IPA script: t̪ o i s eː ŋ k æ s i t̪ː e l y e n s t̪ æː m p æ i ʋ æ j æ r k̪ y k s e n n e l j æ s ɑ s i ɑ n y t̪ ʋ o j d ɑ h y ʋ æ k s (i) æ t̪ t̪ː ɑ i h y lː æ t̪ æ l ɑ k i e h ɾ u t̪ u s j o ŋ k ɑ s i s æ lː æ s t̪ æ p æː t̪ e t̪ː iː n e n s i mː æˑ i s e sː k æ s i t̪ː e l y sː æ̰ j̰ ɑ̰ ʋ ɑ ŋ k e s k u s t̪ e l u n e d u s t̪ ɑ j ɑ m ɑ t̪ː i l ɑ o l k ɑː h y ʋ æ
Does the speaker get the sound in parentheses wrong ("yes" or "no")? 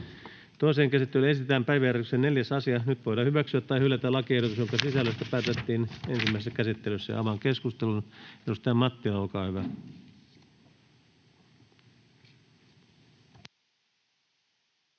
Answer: yes